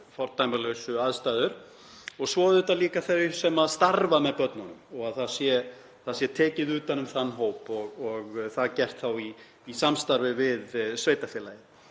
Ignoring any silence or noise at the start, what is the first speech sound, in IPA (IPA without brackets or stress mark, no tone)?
f